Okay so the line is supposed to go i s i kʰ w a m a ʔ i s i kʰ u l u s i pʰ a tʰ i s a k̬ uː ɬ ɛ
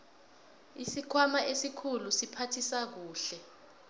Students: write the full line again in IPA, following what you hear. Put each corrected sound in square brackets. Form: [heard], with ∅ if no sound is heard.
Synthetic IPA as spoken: i s i kʰ w a m a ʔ [e] s i kʰ u l u s i pʰ a tʰ i s a k̬ uː ɬ ɛ